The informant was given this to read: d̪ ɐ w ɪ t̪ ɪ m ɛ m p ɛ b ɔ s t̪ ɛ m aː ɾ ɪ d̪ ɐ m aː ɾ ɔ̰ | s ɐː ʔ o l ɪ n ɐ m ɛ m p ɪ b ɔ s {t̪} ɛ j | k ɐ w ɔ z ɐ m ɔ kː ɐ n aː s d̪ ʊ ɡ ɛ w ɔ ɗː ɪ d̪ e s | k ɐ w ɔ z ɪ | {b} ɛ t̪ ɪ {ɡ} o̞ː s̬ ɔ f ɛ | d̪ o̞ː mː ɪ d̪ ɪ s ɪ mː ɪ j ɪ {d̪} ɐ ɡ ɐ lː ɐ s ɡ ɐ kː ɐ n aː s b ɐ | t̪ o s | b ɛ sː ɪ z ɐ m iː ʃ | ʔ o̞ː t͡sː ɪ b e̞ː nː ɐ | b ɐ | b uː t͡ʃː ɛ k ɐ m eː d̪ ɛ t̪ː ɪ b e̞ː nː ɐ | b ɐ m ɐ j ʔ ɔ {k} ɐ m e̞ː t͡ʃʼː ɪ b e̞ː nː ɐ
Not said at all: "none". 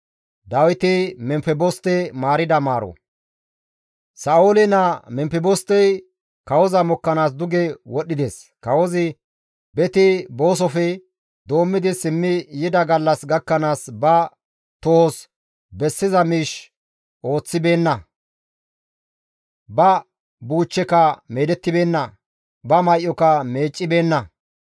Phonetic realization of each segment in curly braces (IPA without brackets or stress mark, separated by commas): t̪, b, b, d̪, k